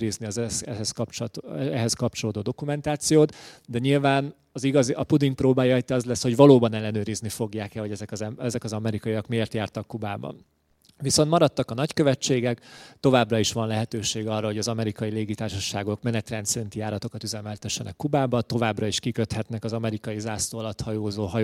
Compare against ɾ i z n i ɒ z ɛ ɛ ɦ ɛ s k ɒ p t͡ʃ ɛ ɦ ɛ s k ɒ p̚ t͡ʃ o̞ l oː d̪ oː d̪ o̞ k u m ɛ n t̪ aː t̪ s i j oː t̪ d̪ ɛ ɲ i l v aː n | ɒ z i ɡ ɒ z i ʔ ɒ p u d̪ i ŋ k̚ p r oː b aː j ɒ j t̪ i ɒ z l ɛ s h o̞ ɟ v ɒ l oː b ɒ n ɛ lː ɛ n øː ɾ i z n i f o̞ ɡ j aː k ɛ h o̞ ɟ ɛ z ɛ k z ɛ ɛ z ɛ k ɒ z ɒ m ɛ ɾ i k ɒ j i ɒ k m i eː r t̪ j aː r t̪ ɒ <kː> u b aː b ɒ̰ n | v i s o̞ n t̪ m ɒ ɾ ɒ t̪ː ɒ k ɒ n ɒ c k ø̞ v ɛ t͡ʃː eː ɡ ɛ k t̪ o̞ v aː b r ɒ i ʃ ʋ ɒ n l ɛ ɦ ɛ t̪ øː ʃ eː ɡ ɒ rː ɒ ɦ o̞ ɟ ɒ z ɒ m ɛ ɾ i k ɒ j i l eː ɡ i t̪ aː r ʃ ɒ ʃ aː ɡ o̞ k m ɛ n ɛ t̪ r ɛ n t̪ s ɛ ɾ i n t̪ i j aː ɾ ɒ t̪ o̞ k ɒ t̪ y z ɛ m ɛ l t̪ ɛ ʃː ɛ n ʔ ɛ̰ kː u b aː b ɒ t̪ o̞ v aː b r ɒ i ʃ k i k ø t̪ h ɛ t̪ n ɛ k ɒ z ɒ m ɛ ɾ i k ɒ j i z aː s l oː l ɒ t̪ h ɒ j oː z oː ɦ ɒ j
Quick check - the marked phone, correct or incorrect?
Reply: correct